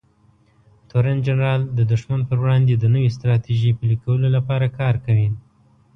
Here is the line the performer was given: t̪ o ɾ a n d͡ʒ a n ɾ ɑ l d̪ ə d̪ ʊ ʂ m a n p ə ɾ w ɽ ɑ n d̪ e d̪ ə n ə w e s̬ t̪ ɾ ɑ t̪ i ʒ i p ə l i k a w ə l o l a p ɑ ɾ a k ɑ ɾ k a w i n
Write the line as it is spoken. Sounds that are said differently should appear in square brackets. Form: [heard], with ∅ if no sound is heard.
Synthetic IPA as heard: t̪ o ɾ a n d͡ʒ a n ɾ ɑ l d̪ ə d̪ ʊ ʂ m a n p ə ɾ w ɽ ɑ n d̪ e d̪ ə n ə w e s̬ t̪ ɾ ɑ t̪ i ʒ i p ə l i k a w ə l o l a p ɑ ɾ a k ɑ ɾ k a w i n